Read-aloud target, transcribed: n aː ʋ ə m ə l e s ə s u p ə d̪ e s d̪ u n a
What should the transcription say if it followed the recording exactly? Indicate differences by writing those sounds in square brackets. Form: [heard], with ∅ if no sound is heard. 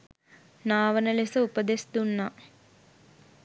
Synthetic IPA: n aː ʋ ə [n] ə l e s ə [∅] u p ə d̪ e s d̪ u [nː] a